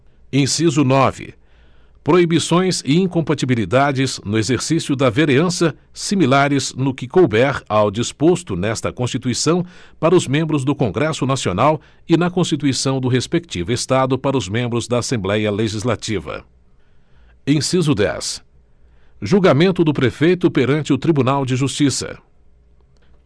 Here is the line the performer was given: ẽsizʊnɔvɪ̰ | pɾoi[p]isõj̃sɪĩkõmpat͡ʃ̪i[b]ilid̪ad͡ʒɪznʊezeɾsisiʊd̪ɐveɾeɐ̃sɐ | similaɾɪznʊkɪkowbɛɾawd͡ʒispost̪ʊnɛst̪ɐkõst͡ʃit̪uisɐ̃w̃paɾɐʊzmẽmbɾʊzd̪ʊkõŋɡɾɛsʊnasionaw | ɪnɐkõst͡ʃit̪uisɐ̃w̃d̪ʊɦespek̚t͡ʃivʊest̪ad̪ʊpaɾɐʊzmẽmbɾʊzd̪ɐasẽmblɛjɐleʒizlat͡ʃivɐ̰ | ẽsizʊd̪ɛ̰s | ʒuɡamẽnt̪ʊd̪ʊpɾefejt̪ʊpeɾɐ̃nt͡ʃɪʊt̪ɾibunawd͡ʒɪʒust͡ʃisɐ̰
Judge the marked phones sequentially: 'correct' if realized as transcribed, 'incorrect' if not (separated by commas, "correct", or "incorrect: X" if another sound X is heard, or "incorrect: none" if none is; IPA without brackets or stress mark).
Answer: incorrect: b, correct